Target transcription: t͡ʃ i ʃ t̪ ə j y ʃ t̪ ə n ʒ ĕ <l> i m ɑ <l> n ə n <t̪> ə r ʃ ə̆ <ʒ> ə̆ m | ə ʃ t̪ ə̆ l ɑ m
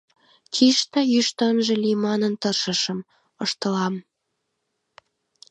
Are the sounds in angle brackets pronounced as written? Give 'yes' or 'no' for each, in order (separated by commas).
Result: yes, no, yes, no